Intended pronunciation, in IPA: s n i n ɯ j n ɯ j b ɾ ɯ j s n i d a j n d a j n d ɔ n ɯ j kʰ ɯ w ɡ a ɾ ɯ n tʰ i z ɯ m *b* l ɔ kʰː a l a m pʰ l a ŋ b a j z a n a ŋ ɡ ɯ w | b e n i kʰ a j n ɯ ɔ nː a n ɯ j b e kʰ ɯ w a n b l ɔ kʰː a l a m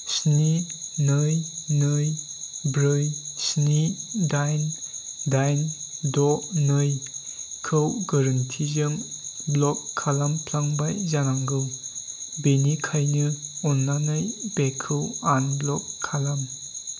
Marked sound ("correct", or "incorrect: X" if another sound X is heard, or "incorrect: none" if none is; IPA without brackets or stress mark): correct